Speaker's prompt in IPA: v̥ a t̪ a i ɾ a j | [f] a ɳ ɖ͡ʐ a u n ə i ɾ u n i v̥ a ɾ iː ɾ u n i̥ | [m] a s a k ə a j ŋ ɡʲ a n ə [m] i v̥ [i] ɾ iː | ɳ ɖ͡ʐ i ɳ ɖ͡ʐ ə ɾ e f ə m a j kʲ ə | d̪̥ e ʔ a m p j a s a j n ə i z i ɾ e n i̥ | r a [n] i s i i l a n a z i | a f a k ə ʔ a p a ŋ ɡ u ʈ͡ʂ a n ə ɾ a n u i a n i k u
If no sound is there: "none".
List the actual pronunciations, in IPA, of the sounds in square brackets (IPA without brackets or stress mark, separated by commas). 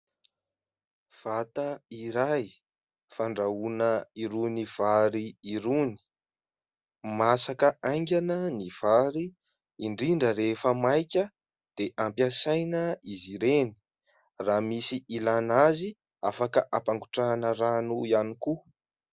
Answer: f, m, n, a, m